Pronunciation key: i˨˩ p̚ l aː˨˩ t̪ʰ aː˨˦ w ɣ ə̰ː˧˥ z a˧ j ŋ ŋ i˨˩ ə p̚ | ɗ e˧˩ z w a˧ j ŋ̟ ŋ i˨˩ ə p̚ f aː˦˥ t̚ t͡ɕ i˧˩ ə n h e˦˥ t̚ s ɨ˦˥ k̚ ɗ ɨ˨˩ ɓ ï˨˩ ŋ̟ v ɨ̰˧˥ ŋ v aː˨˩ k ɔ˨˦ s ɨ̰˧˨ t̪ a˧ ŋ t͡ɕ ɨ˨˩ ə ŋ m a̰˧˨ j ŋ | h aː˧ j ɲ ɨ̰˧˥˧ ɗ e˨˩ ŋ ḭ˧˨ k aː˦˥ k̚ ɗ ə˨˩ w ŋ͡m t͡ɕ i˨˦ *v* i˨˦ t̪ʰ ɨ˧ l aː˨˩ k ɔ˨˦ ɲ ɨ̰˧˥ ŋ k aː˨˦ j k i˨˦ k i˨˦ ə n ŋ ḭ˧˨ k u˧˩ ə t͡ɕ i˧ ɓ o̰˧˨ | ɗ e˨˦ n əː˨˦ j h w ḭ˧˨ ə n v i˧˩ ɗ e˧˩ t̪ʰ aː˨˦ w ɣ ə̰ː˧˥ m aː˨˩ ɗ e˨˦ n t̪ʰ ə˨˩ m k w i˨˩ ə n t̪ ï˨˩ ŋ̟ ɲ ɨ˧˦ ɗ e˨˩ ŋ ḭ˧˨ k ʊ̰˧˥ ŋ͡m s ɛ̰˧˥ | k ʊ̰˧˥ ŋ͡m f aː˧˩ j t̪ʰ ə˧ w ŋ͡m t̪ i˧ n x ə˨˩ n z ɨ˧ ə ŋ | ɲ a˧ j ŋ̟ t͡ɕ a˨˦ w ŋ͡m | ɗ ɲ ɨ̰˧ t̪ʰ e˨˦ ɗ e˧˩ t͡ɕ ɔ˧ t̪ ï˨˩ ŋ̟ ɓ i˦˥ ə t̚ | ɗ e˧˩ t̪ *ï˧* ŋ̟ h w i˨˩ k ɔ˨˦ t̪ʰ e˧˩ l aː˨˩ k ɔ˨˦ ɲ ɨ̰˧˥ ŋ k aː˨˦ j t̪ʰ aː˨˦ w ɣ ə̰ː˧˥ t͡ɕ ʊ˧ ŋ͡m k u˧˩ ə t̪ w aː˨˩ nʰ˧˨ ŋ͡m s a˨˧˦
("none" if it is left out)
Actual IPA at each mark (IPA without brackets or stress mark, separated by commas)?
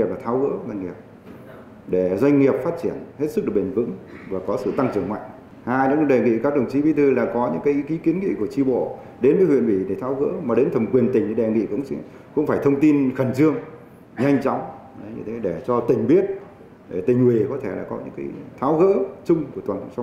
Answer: v, ï˨˩